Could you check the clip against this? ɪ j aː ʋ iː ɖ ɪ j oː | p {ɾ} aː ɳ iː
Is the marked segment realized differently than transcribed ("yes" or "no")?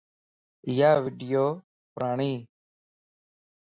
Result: no